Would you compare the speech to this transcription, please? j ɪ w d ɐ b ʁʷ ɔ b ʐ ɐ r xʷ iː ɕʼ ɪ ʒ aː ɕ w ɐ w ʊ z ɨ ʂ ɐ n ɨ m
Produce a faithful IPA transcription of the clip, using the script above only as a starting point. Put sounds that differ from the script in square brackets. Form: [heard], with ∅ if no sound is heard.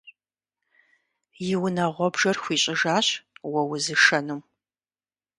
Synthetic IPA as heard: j ɪ w [n] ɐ [∅] ʁʷ ɔ b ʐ ɐ r xʷ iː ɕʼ ɪ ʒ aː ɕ w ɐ w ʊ z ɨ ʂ ɐ n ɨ m

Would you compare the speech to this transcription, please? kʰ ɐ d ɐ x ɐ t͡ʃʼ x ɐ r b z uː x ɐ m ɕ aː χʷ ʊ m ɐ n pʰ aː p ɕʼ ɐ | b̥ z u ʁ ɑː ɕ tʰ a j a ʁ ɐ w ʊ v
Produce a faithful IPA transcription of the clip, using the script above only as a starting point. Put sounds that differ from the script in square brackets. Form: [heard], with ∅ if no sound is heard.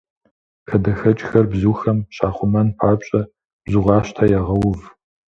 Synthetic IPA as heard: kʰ ɐ d ɐ x ɐ t͡ʃʼ x ɐ r b z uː x ɐ m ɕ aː χʷ ʊ m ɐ n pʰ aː p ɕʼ ɐ | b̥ z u ʁ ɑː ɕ tʰ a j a ʁ ɐ w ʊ v

